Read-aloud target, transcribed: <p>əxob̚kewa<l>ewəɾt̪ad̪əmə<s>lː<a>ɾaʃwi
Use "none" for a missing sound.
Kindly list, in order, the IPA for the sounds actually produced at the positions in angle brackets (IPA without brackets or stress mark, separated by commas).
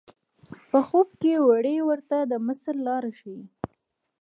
p, ɽ, s, ɑ